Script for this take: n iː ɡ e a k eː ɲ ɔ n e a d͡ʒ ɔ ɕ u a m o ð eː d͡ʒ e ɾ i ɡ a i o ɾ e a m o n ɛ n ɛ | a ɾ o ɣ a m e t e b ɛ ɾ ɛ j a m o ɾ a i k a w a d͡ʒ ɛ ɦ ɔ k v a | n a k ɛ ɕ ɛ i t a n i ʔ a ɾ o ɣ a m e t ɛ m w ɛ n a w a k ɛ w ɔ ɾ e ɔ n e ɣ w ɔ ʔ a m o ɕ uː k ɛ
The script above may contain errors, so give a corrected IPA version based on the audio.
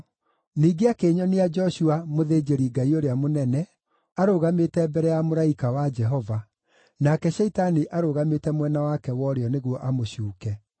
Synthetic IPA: n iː ɡ e a k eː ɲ ɔ n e a d͡ʒ ɔ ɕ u a m o ð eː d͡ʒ e ɾ i ɡ a i o ɾ e a m o n ɛ n ɛ | a ɾ o ɣ a m e t ɛ b ɛ ɾ ɛ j a m o ɾ a i k a w a d͡ʒ ɛ ɦ ɔ v a | n a k ɛ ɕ ɛ i t a n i ʔ a ɾ o ɣ a m e t ɛ m w ɛ n a w a k ɛ w ɔ ɾ e ɔ n e ɣ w ɔ ʔ a m o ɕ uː k ɛ

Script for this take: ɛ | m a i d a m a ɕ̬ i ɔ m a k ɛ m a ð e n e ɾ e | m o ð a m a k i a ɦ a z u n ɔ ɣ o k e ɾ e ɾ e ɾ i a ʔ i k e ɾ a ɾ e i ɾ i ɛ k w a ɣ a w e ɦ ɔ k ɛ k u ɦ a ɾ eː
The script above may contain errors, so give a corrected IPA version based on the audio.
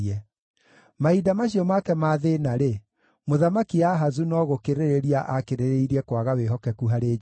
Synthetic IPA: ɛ | m a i d a m a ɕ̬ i ɔ m a k ɛ m a ð e n a ɾ e | m o ð a m a k i a ɦ a z u n ɔ ɣ o k e ɾ e ɾ e ɾ i a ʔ a k e ɾ e ɾ e i ɾ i ɛ k w a ɣ a w e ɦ ɔ k ɛ k u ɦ a ɾ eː

